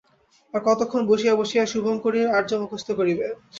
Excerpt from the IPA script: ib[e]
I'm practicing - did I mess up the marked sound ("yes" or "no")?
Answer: no